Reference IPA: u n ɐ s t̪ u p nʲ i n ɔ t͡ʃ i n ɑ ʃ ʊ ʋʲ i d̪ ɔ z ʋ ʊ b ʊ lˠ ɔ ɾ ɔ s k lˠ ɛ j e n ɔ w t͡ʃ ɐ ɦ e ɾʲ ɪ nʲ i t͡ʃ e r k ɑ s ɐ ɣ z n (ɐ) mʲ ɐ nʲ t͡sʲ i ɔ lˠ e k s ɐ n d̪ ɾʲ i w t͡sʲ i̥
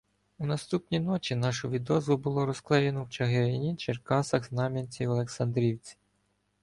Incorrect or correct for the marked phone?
incorrect: ɑ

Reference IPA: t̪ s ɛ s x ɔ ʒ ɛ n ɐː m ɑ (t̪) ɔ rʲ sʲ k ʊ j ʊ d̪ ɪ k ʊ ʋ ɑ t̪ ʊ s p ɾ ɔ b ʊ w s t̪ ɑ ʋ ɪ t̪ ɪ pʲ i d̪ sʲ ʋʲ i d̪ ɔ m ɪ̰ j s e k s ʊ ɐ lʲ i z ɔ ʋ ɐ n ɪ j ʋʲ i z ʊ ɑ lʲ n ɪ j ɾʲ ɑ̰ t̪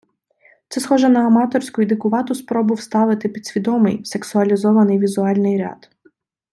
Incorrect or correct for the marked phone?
correct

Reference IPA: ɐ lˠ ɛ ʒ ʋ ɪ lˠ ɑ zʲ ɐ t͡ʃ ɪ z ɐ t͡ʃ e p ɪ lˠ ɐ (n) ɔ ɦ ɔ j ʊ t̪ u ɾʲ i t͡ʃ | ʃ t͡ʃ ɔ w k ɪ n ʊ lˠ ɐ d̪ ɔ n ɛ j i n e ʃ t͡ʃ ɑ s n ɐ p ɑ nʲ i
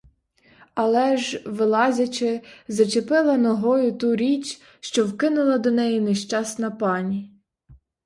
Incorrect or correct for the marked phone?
correct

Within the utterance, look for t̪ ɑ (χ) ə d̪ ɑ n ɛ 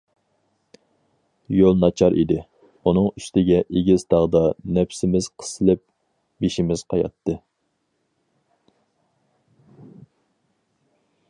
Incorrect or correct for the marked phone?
incorrect: ʁ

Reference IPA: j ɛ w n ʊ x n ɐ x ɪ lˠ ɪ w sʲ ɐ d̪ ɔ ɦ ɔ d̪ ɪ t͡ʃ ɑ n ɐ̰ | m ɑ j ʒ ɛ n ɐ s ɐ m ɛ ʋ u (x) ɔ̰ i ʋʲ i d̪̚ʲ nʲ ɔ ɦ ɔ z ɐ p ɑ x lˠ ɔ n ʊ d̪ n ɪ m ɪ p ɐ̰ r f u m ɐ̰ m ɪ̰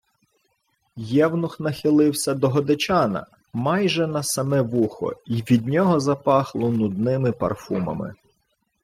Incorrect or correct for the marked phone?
correct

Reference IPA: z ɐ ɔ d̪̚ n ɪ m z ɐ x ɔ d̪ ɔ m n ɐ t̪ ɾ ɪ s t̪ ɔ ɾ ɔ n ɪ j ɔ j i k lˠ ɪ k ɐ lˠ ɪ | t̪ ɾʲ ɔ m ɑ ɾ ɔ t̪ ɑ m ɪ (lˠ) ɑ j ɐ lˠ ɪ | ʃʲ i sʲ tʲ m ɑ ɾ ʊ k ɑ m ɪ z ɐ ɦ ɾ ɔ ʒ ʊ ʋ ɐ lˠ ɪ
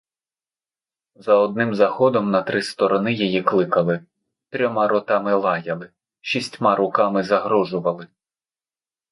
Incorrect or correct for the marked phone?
correct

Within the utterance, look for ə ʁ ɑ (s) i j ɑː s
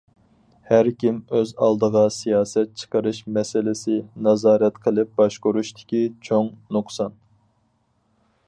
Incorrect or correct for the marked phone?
correct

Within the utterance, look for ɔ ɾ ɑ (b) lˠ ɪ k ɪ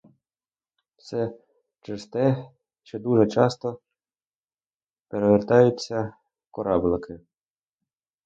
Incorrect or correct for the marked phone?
correct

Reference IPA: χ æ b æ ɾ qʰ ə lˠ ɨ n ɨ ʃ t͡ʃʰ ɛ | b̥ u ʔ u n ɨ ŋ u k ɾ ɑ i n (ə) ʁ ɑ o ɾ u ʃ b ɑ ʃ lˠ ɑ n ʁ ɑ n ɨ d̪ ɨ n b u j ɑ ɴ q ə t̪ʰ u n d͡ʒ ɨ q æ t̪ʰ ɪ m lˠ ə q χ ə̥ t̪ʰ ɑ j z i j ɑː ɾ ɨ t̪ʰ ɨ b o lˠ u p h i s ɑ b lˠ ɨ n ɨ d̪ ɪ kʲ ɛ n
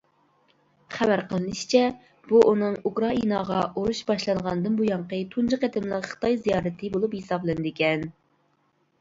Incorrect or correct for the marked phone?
incorrect: ɑ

